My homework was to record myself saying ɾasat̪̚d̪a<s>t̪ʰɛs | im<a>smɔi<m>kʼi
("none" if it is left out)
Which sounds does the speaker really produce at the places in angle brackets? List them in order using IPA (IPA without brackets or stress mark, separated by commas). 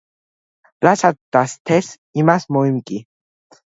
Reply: s, a, m